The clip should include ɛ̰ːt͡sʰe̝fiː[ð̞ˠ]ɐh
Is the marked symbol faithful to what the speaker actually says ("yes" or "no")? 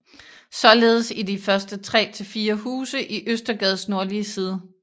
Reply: no